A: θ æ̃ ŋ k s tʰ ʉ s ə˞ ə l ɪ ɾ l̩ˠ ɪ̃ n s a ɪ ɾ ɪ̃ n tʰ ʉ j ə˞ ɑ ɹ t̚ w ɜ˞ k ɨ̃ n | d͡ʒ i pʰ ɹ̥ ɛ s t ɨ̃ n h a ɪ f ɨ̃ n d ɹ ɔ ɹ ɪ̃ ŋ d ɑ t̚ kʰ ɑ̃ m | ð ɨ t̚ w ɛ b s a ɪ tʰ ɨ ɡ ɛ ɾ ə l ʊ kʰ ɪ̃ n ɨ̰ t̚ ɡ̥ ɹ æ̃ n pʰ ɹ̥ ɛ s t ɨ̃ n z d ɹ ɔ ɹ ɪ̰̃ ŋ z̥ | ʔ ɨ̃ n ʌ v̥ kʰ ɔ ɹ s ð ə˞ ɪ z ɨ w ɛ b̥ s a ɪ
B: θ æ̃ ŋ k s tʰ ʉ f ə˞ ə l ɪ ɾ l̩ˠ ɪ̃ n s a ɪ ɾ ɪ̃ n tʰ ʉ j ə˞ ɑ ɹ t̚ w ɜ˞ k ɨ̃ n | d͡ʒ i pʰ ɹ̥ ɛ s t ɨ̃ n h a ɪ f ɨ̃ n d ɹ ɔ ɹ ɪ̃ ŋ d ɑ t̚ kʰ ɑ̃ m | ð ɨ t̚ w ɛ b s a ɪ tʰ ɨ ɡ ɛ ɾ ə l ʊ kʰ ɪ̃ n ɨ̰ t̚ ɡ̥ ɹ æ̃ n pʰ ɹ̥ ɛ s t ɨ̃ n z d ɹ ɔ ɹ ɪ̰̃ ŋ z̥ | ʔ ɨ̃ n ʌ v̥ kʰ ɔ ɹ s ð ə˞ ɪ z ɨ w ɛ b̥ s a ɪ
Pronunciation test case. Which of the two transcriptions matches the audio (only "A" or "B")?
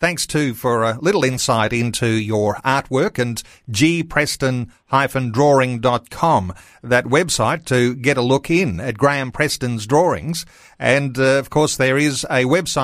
B